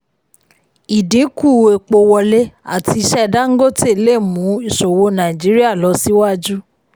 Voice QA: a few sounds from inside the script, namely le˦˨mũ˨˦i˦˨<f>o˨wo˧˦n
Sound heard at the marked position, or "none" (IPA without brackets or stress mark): ʃ